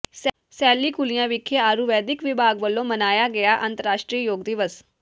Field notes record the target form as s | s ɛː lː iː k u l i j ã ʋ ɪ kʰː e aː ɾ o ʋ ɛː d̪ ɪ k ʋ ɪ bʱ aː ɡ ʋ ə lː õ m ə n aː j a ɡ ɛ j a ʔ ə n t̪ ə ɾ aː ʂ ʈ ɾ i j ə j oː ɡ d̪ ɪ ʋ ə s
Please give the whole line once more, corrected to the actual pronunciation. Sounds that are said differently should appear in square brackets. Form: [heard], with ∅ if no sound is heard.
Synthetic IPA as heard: s | s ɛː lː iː k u l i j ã ʋ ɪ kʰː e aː ɾ [u] ʋ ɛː d̪ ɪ k ʋ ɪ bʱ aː ɡ ʋ ə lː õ m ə n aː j a ɡ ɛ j a ʔ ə n t̪ ə ɾ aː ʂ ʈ ɾ i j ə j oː ɡ d̪ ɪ ʋ ə s